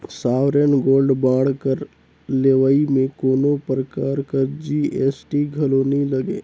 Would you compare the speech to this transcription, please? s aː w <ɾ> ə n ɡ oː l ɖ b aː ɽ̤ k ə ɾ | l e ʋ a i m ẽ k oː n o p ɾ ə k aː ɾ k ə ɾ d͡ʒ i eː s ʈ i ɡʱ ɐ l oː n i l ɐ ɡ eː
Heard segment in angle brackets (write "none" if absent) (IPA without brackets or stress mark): ɾ